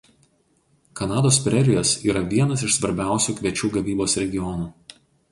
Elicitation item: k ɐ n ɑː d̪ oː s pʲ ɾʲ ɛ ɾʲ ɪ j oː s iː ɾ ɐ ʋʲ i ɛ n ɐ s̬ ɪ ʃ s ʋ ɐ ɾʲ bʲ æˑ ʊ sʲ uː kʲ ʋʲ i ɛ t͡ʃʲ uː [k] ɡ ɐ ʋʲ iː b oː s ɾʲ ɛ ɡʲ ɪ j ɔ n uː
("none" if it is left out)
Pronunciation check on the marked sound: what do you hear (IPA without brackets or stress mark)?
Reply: none